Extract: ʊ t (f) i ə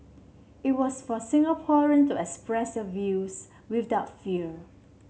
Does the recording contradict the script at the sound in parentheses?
no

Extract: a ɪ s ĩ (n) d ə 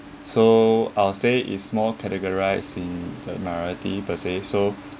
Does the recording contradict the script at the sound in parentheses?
no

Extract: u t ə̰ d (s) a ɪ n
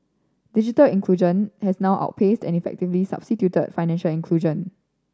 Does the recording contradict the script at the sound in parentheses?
yes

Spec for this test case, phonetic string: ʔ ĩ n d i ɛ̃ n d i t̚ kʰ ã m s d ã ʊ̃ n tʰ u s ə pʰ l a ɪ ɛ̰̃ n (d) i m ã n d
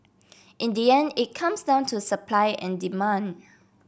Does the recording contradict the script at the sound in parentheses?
no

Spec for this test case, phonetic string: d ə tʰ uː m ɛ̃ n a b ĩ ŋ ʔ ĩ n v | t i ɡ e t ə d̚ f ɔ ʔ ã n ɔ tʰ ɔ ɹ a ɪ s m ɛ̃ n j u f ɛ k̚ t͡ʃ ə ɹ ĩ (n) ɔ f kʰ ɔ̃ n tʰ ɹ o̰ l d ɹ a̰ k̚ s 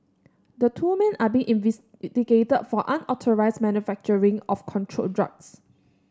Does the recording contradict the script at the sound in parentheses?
yes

